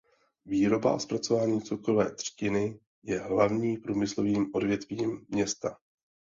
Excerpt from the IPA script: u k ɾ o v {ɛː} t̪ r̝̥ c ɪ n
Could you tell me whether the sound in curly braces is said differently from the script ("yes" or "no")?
no